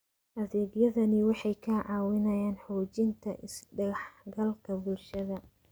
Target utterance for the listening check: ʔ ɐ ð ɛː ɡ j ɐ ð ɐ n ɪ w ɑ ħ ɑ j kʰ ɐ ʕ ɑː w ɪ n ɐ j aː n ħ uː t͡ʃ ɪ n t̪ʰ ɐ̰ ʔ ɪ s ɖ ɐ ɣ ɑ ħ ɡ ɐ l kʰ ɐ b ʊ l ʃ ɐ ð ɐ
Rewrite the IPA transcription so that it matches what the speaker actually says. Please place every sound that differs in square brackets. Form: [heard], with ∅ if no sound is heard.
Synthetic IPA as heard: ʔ ɐ ð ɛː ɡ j ɐ ð ɐ n ɪ w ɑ ħ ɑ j kʰ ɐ ʕ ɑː w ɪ n ɐ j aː n ħ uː t͡ʃ ɪ n t̪ʰ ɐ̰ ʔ ɪ s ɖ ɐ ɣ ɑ ħ ɡ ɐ l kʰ ɐ b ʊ l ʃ ɐ ð ɐ